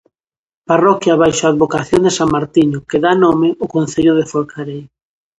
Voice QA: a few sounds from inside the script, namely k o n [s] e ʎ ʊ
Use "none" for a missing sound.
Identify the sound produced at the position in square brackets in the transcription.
θ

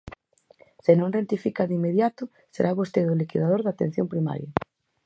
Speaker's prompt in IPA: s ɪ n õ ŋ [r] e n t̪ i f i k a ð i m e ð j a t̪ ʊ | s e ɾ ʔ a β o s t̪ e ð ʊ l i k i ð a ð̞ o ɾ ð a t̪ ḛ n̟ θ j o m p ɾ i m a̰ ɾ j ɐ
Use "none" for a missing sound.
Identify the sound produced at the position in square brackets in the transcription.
r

